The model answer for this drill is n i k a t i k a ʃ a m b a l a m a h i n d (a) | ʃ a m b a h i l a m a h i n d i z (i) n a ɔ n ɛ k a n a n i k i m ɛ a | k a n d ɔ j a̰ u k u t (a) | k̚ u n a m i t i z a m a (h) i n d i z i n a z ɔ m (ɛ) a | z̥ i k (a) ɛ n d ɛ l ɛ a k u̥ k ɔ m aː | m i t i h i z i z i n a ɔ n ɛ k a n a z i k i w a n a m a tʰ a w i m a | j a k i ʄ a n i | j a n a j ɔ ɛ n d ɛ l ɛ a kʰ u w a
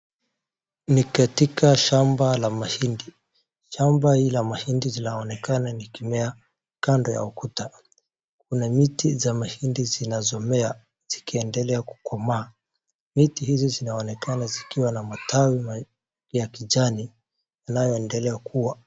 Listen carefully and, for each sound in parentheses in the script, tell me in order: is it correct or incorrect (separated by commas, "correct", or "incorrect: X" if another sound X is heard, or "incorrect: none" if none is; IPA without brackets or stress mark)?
incorrect: i, correct, correct, correct, correct, incorrect: i